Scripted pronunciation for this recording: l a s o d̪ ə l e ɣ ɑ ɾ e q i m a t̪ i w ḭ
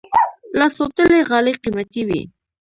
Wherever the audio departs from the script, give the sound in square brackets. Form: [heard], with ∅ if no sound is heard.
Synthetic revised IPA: l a s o [t̪] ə l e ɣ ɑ [l] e q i m a t̪ i w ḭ

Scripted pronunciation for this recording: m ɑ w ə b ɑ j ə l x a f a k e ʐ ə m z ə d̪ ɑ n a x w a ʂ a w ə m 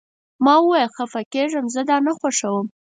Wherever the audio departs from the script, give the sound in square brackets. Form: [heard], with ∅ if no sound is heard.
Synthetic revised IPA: m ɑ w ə [w] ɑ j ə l x a f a k e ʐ ə m z ə d̪ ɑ n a x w a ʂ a w ə m

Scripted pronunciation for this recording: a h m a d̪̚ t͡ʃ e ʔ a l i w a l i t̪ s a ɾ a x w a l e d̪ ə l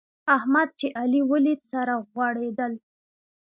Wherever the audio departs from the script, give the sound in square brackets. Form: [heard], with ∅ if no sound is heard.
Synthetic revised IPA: a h m a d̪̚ t͡ʃ e ʔ a l i w [ə] l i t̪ s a ɾ a [ɣ] w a [ɽ] e d̪ ə l

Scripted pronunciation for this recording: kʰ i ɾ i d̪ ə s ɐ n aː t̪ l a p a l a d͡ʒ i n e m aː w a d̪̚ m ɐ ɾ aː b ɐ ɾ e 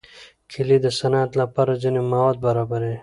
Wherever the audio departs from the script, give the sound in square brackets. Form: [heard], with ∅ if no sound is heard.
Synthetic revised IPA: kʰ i [l] i d̪ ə s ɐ n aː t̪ l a p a [ɾ] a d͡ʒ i n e m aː w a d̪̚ [b] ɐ ɾ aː b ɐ ɾ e

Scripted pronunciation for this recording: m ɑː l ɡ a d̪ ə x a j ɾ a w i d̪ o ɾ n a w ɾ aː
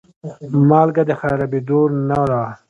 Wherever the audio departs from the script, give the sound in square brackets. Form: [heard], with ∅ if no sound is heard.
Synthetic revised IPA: m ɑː l ɡ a d̪ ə x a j ɾ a [b] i d̪ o ɾ n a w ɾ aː

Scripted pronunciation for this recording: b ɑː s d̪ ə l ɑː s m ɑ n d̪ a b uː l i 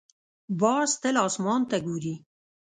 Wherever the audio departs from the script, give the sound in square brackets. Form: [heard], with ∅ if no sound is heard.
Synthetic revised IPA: b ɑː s [t̪] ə l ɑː s m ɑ n [t̪] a [ɡ] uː [ɾ] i

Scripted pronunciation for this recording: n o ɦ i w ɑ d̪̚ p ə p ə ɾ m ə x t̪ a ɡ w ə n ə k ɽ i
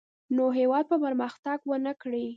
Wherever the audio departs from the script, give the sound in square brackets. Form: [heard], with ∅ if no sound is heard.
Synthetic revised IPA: n o ɦ [e] w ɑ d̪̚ p ə p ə ɾ m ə x t̪ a ɡ w ə n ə k ɽ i

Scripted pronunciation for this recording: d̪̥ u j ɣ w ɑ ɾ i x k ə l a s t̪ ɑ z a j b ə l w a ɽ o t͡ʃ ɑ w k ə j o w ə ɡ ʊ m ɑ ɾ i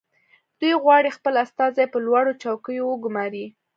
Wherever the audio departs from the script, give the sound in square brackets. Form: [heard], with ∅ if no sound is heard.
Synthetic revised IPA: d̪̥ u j ɣ w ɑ [ɽ] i x [p] ə l a s t̪ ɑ z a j [p] ə l w a ɽ o t͡ʃ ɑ w k ə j o w ə ɡ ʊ m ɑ ɾ i

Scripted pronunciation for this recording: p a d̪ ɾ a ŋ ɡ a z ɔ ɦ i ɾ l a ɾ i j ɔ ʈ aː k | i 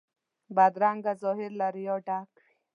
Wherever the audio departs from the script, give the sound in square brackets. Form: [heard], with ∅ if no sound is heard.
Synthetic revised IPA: [b] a d̪ ɾ a ŋ ɡ a z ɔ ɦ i ɾ l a ɾ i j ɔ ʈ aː k | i

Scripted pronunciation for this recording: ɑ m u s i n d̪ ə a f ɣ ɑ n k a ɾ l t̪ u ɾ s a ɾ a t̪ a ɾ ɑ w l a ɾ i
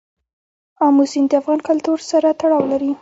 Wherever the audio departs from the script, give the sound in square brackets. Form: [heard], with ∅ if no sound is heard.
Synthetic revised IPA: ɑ m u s i n d̪ ə a f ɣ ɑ n k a [∅] l t̪ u ɾ s a ɾ a t̪ a [ɽ] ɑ w l a ɾ i

